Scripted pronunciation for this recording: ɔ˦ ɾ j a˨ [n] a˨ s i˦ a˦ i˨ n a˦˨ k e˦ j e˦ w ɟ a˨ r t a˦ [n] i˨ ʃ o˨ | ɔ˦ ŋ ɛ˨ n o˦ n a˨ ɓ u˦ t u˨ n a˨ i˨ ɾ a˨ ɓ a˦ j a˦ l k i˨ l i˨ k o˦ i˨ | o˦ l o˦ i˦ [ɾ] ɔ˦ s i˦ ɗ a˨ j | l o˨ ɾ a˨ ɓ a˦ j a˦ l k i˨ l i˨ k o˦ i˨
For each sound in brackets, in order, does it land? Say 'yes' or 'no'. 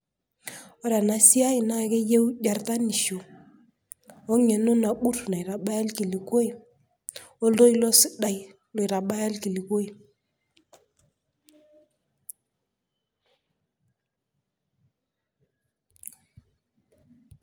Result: yes, yes, no

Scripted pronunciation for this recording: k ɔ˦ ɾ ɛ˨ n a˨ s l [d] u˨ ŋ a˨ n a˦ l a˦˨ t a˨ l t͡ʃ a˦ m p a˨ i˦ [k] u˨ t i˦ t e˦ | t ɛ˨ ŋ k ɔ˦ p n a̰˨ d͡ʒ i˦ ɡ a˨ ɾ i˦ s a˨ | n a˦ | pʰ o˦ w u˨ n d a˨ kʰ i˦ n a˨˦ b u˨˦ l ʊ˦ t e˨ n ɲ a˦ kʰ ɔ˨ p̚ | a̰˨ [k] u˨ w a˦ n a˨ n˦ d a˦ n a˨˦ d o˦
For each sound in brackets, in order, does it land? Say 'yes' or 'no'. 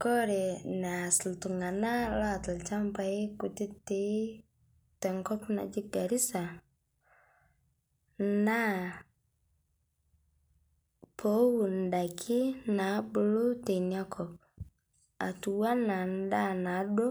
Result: no, yes, no

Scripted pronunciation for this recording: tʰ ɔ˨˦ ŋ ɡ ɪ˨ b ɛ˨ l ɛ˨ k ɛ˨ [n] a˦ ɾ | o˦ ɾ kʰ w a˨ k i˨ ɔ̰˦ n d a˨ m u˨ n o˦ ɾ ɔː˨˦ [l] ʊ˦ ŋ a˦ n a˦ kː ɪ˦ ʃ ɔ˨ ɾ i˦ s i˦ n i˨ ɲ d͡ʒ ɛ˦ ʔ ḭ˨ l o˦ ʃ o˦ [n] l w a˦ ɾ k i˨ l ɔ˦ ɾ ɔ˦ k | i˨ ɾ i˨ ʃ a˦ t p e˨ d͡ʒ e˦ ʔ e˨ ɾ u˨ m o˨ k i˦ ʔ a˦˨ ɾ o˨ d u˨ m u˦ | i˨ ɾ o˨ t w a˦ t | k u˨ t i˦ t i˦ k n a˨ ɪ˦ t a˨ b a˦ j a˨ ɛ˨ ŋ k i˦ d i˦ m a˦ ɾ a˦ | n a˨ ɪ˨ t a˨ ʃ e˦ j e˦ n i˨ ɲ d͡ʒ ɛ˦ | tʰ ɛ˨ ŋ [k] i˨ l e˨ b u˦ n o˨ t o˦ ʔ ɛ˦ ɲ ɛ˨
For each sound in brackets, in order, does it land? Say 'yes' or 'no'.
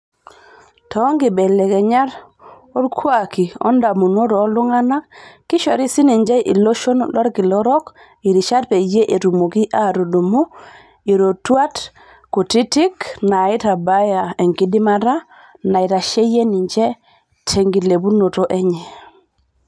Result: no, yes, yes, no

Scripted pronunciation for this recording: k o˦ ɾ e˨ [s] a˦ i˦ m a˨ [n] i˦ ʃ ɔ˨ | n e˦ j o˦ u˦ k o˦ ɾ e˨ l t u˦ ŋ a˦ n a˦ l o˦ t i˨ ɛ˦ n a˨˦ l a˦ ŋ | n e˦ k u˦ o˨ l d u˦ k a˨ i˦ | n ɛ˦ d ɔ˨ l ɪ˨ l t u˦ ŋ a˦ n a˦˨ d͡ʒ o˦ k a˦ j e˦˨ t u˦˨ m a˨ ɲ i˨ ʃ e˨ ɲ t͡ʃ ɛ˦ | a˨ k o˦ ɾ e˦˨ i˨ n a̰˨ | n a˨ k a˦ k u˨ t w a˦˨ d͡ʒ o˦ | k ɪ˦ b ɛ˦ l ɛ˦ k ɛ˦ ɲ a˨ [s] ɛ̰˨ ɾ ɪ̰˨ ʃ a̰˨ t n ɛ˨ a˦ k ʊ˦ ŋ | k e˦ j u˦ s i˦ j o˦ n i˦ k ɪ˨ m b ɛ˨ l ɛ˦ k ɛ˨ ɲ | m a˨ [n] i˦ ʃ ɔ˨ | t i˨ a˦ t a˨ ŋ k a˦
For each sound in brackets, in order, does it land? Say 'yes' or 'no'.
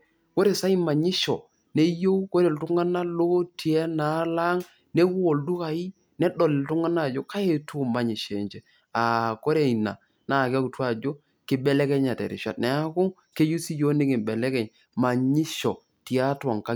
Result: yes, no, no, no

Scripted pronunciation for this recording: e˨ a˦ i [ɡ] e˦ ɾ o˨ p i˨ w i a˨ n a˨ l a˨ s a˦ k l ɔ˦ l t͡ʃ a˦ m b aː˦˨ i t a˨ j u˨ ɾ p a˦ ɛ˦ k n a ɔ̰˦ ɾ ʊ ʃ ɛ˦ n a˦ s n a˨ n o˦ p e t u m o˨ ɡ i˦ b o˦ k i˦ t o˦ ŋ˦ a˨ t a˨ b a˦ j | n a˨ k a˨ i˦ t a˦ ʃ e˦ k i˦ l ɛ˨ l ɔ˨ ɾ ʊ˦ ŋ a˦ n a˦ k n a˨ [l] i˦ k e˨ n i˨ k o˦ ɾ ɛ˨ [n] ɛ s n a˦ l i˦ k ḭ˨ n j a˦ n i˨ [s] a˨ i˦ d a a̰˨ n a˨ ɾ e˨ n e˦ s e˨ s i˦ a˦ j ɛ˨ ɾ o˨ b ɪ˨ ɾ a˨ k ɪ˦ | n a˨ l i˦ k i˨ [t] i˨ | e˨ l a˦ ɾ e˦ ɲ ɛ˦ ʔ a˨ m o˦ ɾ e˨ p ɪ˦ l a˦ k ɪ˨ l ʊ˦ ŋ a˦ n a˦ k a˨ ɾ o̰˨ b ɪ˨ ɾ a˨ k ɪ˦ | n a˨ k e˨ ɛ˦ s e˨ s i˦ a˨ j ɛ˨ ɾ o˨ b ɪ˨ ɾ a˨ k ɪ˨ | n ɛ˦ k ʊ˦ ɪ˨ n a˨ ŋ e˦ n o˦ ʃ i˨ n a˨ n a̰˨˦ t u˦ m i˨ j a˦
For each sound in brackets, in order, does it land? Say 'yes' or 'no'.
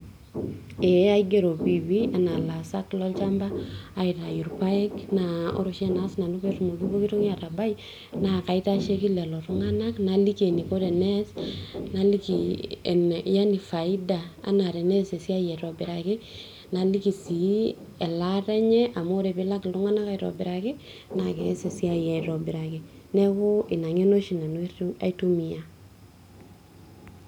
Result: yes, yes, yes, no, no

